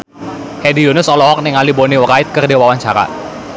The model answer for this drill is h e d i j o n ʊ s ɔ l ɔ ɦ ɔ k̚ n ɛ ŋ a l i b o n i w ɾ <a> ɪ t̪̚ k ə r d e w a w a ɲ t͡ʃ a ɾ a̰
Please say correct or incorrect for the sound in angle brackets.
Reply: correct